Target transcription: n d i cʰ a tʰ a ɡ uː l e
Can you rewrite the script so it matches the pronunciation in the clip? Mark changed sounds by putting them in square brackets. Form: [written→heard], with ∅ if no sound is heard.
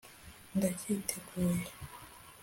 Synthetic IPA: n d [i→a] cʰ [a→i] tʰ [a→e] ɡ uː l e